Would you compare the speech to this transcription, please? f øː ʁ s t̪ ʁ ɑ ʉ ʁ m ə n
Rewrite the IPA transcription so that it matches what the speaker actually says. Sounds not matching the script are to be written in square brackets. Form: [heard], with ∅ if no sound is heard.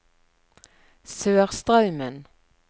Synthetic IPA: [s] øː ʁ s t̪ ʁ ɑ ʉ [∅] m ə n